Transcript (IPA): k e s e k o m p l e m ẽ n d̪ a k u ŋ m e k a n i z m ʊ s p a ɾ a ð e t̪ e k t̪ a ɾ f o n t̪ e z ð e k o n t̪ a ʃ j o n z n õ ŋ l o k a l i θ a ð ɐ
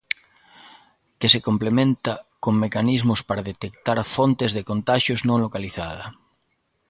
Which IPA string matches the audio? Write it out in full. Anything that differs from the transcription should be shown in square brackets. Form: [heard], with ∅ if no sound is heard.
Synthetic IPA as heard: k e s e k o m p l e m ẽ n [t̪] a k [o] ŋ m e k a n i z m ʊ s p a ɾ a ð e t̪ e k t̪ a ɾ f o n t̪ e z ð e k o n t̪ a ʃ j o [∅] z n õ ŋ l o k a l i θ a ð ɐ